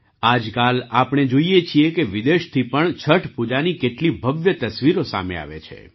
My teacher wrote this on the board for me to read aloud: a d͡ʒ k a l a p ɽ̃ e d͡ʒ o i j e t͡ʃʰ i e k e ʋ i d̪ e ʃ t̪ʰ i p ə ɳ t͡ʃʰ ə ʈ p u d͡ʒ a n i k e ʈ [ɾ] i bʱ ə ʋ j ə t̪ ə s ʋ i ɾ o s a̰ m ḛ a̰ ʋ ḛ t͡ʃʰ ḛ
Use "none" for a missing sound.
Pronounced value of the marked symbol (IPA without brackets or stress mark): l